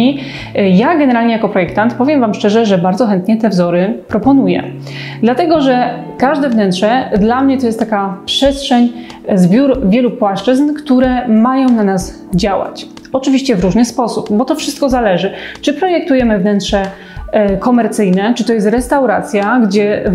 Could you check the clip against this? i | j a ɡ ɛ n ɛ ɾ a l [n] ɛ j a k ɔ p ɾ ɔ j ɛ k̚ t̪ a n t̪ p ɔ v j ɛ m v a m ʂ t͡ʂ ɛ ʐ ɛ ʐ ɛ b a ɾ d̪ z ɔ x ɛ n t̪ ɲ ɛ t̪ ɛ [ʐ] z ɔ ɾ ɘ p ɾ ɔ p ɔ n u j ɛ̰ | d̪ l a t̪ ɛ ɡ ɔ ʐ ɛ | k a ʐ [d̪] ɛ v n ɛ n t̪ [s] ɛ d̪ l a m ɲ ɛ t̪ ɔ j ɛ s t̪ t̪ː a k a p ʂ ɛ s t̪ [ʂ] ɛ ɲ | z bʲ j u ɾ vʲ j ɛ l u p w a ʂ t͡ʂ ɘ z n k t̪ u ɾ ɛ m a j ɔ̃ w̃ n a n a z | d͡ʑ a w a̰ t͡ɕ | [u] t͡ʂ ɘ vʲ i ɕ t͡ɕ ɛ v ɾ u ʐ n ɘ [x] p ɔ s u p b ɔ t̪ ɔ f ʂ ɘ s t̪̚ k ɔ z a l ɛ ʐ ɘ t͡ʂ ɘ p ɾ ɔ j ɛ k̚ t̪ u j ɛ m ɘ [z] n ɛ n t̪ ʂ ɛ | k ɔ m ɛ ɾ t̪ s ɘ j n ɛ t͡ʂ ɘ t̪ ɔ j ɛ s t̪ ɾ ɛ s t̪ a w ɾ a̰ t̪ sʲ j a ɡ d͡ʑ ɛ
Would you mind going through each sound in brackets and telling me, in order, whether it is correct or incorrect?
incorrect: ɲ, incorrect: v, correct, incorrect: ʂ, correct, incorrect: ɔ, incorrect: s, incorrect: v

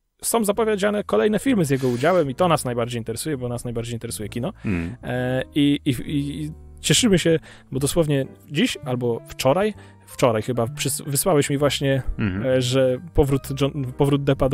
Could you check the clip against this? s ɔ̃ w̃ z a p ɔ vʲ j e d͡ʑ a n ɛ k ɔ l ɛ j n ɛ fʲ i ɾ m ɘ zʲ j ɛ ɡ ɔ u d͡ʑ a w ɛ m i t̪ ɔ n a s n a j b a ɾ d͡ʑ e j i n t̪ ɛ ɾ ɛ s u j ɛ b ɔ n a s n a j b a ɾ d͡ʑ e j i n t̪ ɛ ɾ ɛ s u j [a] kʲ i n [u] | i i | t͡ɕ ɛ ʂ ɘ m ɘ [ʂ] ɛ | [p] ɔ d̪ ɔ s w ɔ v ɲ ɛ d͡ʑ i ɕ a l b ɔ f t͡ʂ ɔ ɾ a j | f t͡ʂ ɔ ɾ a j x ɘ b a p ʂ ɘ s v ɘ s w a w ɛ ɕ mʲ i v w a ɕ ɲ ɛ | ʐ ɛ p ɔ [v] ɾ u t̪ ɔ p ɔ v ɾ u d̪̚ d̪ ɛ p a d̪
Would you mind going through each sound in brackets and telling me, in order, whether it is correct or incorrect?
incorrect: ɛ, incorrect: ɔ, incorrect: ɕ, incorrect: b, correct

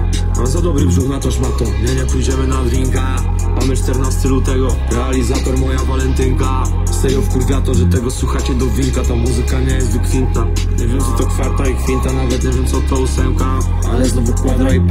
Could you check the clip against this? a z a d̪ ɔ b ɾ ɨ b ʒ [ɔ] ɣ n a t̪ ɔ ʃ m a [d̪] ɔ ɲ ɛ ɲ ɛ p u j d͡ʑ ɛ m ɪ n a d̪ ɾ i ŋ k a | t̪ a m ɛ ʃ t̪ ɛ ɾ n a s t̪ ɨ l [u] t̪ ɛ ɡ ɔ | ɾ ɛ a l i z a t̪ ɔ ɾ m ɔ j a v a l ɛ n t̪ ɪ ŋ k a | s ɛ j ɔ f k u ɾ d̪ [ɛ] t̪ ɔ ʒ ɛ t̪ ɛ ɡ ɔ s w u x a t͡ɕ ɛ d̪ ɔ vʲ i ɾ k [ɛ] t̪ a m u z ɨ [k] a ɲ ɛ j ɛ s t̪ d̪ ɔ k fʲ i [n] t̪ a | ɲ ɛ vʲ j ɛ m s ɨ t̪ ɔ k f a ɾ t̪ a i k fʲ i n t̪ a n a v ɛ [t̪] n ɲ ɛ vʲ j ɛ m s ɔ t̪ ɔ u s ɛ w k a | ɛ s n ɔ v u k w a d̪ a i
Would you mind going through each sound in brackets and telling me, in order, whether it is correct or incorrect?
incorrect: u, incorrect: t̪, correct, incorrect: a, incorrect: a, correct, correct, correct

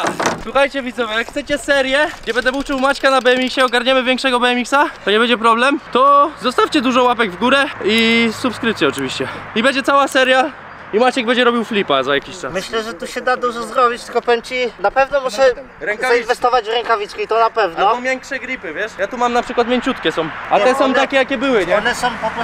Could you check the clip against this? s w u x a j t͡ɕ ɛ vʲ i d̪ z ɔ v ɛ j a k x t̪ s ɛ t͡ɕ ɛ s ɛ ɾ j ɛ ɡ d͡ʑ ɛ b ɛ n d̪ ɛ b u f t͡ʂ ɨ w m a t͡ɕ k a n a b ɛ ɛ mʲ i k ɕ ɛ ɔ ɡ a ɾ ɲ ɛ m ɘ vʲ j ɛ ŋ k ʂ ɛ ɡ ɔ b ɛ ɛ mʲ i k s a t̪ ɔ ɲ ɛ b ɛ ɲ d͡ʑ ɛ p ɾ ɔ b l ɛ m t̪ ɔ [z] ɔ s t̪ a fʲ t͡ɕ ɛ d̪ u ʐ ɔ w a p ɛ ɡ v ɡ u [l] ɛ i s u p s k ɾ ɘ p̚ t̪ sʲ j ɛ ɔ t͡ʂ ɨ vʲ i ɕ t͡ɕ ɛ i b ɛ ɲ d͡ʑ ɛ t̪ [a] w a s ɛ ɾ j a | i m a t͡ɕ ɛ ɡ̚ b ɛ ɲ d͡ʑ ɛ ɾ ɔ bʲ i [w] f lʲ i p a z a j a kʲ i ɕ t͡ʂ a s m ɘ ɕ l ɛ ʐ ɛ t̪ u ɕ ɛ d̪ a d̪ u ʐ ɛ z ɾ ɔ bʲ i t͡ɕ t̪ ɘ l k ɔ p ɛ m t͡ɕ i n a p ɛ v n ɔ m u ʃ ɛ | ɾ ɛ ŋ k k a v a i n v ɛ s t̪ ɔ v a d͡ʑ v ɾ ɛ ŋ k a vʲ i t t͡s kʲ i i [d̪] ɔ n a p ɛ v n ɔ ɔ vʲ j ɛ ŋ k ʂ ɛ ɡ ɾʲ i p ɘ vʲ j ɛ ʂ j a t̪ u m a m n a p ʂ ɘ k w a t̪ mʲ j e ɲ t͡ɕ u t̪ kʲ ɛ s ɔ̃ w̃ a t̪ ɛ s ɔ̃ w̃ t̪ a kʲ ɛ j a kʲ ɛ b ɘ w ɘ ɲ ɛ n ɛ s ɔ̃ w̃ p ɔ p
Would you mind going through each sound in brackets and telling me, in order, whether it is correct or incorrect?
correct, incorrect: ɾ, correct, correct, incorrect: t̪

